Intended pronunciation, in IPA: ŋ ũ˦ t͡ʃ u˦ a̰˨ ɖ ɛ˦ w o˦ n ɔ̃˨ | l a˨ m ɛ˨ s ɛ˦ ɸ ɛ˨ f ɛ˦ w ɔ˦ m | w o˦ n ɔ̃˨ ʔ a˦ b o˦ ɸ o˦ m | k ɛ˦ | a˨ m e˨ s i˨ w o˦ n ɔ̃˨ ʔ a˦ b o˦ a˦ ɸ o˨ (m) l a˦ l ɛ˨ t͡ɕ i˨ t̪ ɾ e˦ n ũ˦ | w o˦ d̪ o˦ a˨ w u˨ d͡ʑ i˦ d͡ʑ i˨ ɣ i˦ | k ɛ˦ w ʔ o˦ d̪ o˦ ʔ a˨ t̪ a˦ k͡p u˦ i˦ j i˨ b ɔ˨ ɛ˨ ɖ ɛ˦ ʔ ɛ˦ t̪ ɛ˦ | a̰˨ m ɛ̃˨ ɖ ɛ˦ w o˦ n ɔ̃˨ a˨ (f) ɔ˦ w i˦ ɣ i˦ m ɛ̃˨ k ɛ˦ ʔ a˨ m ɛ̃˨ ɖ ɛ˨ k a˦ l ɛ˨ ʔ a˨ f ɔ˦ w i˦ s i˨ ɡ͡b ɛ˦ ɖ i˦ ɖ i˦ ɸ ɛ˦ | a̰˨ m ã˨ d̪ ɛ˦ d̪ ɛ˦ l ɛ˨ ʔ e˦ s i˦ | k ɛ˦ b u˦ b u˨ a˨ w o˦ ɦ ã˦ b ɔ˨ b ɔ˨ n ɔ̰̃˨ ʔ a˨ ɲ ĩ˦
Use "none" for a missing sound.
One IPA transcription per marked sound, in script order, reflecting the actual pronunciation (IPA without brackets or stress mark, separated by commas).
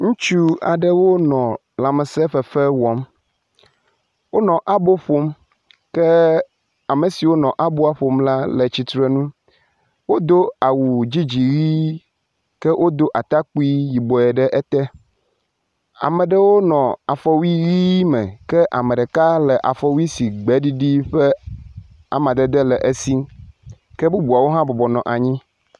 m, f